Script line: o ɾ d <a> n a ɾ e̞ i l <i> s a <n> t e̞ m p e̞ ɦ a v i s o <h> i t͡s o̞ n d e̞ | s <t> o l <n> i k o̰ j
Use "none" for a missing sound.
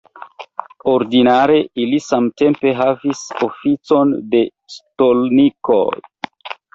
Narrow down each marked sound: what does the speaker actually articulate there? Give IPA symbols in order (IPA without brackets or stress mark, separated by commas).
i, i, m, f, t, n